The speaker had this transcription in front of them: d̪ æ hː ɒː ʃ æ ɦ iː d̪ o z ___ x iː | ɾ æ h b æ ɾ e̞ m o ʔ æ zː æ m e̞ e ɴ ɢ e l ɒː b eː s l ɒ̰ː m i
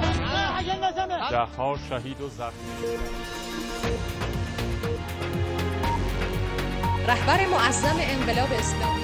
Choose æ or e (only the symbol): æ